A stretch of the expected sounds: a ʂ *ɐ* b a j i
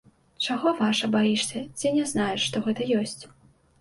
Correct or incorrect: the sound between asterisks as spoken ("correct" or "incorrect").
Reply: correct